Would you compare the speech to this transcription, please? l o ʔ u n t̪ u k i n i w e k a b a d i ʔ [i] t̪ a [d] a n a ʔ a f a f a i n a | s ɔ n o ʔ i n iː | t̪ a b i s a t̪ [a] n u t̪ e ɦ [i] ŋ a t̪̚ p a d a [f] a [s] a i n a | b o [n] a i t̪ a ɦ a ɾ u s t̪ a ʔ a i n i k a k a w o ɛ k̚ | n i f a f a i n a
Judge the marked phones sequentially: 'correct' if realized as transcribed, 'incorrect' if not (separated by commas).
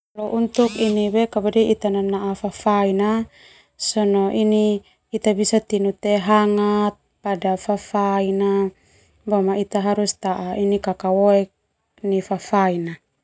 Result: correct, incorrect, incorrect, incorrect, correct, incorrect, incorrect